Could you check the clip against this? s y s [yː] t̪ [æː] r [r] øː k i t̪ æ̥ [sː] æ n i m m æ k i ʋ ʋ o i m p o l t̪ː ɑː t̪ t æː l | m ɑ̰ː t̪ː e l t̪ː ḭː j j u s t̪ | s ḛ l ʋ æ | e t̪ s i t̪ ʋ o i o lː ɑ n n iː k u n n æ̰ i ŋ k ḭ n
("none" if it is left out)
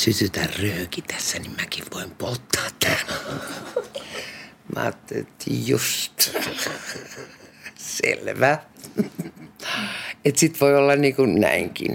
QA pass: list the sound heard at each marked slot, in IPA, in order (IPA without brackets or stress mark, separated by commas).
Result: y, æ, r, sː